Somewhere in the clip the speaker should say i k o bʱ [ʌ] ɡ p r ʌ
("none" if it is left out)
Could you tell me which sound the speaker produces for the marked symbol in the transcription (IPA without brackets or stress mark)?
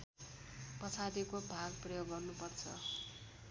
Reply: a